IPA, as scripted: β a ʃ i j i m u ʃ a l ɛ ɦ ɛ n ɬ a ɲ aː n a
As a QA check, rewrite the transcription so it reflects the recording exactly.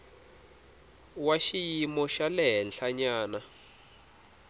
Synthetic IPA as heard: w a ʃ i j i m ɔ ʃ a l ɛ ɦ ɛ n ɬ a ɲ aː n a